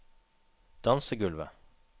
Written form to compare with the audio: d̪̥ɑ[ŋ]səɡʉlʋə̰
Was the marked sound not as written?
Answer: yes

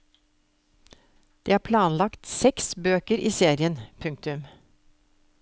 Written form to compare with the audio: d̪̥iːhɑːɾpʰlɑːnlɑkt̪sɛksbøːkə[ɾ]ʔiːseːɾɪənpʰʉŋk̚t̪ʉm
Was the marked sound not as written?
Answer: no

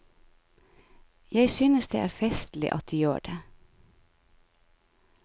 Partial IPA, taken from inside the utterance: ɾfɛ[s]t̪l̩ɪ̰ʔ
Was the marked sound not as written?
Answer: no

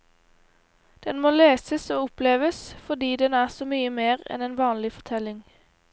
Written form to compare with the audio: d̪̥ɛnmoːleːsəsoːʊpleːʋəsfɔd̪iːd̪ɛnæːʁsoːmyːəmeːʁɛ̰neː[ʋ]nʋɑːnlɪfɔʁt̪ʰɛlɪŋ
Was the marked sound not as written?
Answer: yes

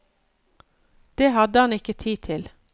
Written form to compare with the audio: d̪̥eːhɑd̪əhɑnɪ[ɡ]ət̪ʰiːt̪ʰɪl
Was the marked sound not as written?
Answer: yes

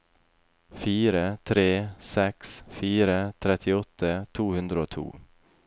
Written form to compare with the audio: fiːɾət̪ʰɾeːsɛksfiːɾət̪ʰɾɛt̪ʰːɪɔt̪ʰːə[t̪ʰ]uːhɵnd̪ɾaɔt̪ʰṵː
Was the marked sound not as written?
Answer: no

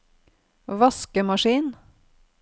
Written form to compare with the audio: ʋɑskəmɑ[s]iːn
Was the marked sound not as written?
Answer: yes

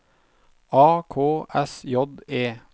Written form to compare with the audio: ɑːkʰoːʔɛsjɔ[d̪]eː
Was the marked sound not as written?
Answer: no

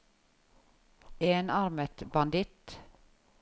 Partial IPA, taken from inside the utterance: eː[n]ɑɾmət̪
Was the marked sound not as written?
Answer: no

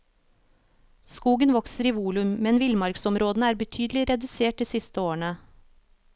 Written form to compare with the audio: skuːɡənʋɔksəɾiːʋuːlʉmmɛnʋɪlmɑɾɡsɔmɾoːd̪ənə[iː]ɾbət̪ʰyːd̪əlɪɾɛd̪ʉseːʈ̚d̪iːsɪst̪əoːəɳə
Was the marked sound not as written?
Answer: yes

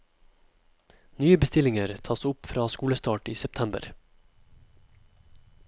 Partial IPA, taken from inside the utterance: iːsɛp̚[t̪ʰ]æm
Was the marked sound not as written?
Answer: no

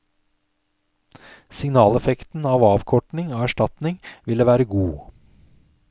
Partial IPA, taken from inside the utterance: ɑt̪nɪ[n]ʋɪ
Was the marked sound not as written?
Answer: yes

